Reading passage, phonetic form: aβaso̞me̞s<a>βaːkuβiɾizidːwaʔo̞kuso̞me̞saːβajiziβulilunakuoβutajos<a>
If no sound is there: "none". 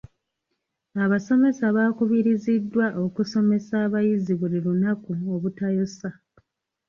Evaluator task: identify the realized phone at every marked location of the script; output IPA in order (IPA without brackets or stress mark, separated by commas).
a, a